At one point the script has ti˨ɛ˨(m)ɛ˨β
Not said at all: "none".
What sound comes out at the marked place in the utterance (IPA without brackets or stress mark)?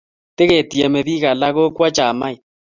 m